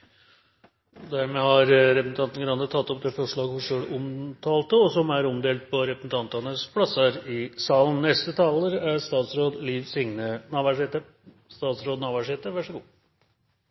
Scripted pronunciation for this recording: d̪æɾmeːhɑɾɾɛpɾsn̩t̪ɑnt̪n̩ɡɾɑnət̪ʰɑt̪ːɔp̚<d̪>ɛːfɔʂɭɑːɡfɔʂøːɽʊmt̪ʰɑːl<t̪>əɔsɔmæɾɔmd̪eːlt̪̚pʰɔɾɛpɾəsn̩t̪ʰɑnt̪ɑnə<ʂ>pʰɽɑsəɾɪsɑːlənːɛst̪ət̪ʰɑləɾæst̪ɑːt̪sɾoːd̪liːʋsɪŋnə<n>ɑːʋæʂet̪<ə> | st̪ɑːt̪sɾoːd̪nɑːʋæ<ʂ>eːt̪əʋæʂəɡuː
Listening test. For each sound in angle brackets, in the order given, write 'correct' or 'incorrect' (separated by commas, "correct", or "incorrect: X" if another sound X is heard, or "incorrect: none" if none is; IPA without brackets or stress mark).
correct, correct, incorrect: s, correct, correct, correct